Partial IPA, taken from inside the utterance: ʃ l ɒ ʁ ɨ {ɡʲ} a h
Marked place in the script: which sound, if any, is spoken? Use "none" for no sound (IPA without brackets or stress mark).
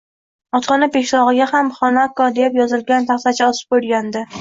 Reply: ɡʲ